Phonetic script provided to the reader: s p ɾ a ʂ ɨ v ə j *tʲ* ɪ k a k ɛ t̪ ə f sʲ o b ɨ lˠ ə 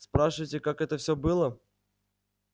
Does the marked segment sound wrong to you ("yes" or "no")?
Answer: no